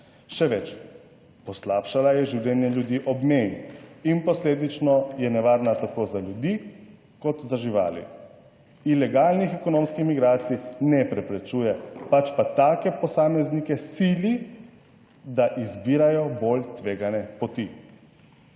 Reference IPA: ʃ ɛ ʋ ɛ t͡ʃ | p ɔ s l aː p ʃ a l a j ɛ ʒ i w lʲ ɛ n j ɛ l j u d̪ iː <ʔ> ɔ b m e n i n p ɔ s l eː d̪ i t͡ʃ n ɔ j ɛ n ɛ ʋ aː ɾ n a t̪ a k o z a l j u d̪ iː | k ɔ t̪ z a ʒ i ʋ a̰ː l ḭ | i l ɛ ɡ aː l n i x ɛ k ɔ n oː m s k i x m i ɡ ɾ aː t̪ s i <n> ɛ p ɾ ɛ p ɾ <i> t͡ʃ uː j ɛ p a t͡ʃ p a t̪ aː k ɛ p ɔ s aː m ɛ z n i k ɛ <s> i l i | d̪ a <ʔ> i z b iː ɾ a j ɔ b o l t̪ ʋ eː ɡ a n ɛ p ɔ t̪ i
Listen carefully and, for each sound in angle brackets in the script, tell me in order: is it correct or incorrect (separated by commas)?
correct, correct, incorrect, correct, correct